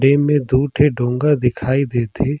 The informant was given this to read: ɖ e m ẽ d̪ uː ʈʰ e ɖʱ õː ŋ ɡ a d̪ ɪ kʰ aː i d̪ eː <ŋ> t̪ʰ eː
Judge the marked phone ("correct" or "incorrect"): incorrect